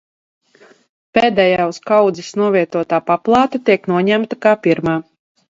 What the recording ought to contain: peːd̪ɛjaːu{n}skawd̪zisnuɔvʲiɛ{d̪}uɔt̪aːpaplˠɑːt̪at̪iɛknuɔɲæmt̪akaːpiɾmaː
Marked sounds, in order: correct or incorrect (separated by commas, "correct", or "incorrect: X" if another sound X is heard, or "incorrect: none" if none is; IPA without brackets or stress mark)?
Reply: incorrect: none, incorrect: t̪